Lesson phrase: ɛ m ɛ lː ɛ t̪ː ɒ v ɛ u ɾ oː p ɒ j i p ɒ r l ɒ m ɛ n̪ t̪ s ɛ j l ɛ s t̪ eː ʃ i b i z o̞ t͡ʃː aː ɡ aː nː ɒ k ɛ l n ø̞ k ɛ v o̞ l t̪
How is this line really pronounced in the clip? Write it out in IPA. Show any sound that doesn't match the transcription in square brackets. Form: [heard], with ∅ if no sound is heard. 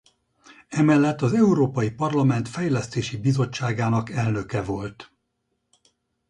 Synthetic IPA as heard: ɛ m ɛ lː ɛ t̪ː ɒ [z] ɛ u ɾ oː p ɒ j i p ɒ r l ɒ m ɛ n̪ t̪ [f] ɛ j l ɛ s t̪ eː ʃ i b i z o̞ t͡ʃː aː ɡ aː [n] ɒ k ɛ l n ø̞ k ɛ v o̞ l t̪